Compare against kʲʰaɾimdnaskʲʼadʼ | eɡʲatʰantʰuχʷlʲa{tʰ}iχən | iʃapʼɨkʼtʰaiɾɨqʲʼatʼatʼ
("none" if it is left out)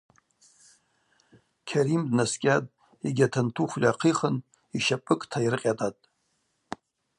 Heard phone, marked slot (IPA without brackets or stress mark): qʰ